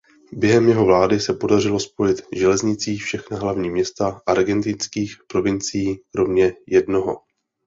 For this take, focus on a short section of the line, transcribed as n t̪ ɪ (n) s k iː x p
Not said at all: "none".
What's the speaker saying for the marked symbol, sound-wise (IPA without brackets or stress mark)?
n